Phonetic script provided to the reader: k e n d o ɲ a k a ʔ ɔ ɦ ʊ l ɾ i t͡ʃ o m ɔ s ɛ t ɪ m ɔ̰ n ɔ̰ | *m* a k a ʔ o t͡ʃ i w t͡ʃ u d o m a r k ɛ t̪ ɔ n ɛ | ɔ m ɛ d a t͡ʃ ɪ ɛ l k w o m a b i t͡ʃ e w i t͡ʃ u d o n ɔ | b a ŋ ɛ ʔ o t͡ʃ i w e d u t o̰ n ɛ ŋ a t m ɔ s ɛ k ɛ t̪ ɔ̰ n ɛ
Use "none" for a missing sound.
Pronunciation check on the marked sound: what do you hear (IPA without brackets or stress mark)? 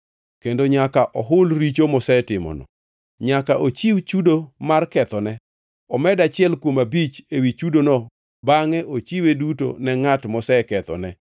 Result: ɲ